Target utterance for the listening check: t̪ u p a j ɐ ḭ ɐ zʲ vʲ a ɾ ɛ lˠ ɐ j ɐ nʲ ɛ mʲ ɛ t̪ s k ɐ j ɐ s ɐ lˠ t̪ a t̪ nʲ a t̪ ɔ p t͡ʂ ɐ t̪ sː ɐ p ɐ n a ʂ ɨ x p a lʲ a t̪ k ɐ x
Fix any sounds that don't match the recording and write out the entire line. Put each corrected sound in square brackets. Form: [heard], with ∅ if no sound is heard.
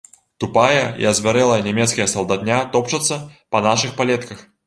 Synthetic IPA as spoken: t̪ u p a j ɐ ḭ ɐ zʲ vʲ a ɾ ɛ lˠ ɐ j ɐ nʲ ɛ mʲ ɛ t̪ s k ɐ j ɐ s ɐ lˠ [d̪] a t̪ nʲ a t̪ ɔ p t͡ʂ ɐ t̪ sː ɐ p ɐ n a ʂ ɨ x p a lʲ [ɛ] t̪ k ɐ x